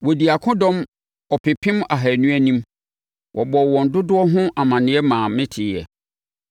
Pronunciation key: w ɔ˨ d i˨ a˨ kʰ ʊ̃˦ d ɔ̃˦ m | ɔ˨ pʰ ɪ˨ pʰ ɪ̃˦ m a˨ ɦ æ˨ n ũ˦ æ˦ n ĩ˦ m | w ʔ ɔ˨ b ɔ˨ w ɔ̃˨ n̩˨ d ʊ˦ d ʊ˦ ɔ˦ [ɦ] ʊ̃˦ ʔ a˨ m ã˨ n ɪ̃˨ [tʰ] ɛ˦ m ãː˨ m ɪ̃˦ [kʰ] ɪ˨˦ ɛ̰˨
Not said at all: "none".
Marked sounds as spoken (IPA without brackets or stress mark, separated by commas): ɦ, none, tʰ